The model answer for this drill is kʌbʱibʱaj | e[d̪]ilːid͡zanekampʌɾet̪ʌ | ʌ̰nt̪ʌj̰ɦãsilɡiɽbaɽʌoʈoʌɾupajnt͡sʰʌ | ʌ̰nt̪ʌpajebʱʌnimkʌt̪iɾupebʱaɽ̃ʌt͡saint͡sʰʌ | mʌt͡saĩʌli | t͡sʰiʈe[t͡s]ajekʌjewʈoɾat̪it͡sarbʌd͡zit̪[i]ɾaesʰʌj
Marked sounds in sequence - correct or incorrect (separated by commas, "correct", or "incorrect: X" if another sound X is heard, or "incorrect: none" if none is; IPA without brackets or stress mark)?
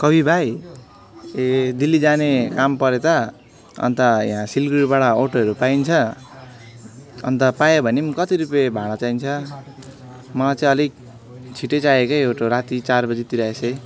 correct, correct, correct